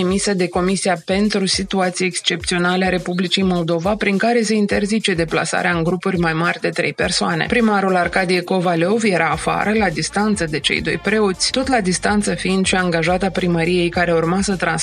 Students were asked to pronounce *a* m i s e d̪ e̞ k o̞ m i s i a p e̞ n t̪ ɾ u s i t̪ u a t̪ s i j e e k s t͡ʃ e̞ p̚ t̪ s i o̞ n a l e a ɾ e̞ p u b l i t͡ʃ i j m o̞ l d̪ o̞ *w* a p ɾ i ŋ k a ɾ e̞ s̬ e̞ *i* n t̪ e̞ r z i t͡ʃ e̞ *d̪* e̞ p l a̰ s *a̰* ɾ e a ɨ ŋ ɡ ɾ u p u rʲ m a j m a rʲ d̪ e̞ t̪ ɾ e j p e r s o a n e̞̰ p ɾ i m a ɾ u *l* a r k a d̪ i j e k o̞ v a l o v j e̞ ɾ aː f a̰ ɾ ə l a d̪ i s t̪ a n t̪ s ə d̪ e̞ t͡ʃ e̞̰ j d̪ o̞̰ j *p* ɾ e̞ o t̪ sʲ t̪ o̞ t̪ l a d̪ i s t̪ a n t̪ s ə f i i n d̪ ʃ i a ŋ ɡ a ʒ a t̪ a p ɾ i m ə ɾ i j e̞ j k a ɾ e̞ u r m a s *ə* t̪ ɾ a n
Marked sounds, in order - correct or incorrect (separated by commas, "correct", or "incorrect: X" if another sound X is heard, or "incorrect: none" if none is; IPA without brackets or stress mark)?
incorrect: e, incorrect: v, correct, correct, correct, correct, correct, correct